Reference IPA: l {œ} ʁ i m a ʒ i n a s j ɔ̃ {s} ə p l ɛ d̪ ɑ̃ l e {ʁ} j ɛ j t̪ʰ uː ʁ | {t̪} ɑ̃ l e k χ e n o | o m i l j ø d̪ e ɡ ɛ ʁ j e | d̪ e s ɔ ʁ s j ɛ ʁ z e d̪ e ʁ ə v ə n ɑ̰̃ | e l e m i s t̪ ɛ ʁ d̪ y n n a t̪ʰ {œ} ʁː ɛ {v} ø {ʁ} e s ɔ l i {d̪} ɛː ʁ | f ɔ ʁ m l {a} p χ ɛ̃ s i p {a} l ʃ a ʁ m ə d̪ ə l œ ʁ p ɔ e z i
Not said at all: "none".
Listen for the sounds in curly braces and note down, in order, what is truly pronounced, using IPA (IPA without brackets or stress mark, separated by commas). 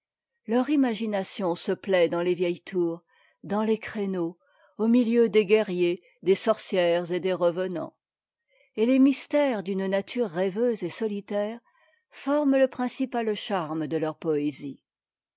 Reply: œ, s, v, d̪, y, v, z, t̪, ə, a